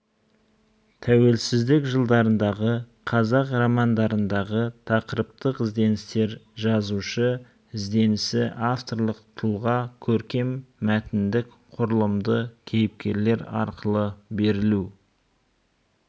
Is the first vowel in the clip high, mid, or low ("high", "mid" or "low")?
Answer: low